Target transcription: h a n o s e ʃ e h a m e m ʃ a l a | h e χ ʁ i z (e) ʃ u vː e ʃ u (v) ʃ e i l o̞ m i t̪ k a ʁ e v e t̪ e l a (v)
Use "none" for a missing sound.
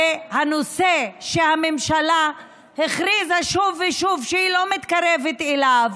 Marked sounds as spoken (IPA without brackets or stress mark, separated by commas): a, v, v